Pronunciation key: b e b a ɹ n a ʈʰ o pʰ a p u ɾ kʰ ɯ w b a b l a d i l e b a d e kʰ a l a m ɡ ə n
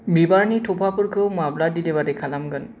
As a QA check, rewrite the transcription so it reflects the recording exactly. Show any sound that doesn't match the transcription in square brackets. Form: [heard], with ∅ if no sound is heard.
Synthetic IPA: b [i] b a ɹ n [i] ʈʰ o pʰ a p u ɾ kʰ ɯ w [m] a b l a d i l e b a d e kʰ a l a m ɡ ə n